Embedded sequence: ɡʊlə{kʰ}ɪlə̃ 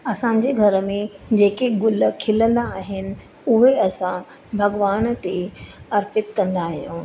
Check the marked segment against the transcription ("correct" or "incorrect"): correct